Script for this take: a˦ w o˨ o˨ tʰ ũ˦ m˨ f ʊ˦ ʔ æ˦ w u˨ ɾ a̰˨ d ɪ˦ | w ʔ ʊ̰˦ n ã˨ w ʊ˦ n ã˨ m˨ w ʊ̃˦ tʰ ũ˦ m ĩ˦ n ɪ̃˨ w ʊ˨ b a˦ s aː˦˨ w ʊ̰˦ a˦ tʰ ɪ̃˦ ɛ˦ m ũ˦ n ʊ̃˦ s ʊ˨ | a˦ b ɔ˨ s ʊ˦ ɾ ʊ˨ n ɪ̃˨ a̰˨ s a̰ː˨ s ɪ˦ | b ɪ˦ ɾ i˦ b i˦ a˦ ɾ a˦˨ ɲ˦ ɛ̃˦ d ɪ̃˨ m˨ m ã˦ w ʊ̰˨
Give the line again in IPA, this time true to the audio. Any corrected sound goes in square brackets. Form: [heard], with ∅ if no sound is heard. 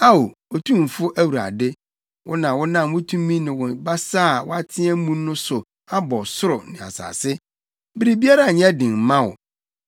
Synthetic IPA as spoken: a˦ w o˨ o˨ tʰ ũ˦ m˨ f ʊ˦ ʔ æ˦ w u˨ ɾ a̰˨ d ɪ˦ | w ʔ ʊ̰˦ n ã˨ w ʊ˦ n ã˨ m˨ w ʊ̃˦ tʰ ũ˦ m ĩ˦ n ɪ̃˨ w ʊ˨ b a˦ s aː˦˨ w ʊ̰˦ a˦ tʰ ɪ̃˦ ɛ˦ m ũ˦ n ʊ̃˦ s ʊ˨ | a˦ b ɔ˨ s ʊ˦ ɾ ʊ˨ n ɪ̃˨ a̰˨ s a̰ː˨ s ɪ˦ | b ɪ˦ ɾ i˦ b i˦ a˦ ɾ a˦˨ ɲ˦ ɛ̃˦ d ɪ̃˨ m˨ m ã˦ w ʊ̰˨